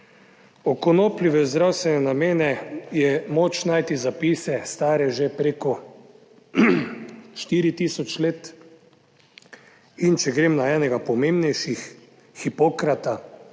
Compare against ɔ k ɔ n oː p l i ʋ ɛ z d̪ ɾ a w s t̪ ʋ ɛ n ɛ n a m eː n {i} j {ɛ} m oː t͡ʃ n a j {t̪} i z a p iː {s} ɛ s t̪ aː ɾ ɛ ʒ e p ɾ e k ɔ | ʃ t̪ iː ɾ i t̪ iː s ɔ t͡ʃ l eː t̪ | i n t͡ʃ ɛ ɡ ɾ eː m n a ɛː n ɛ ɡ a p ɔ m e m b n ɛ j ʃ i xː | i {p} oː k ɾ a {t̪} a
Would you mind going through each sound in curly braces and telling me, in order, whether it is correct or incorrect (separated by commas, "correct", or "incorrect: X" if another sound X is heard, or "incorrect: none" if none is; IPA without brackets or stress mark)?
incorrect: ɛ, correct, correct, correct, correct, correct